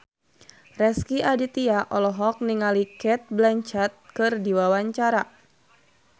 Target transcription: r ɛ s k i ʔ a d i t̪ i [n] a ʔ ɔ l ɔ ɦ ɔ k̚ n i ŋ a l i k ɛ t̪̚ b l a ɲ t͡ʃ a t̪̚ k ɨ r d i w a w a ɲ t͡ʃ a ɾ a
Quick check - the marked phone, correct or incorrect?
incorrect